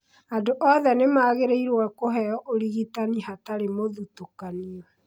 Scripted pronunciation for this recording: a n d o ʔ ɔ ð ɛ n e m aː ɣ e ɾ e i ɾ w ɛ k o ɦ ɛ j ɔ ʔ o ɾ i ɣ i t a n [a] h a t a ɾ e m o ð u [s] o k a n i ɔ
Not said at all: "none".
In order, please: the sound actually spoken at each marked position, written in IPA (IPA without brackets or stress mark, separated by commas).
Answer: i, t